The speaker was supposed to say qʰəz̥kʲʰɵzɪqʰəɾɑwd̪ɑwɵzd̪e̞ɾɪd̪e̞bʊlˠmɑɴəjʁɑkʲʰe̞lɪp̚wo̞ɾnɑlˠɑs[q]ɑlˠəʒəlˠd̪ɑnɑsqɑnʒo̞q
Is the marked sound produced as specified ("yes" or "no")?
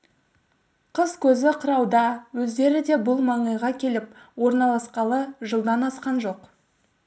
yes